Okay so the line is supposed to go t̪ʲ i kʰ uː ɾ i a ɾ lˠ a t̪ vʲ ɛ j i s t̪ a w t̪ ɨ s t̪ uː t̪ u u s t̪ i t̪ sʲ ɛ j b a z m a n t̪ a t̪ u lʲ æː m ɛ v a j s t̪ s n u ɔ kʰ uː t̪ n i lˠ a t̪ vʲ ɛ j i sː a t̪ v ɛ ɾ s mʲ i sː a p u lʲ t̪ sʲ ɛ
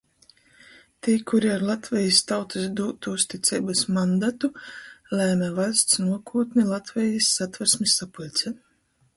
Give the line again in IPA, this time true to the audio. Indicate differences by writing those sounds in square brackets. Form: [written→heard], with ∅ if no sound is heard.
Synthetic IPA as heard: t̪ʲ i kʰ [uː→u] ɾ i a ɾ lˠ a t̪ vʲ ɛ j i s t̪ a w t̪ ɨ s [t̪→d̪] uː t̪ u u s t̪ i t̪ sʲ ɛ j b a [z→s] m a n [t̪→d̪] a t̪ u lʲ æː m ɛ v a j s t̪ s n u ɔ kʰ uː t̪ n i lˠ a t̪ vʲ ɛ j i sː a t̪ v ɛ ɾ s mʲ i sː a p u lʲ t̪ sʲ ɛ